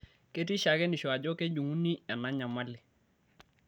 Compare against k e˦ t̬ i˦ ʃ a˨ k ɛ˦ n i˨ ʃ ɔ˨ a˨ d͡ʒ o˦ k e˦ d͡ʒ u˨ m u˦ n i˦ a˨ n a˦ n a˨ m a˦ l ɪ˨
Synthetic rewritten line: k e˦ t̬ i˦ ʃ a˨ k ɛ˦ n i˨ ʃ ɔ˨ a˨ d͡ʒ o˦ k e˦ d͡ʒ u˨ ŋ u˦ n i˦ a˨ n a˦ ɲ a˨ m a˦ l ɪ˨